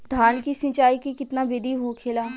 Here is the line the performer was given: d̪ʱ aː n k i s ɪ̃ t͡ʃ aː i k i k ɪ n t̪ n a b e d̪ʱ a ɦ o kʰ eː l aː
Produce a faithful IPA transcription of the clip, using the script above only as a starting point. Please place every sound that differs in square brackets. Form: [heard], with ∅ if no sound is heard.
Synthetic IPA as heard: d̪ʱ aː n k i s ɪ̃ t͡ʃ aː i k i k ɪ [∅] t̪ n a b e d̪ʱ [i] ɦ o kʰ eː l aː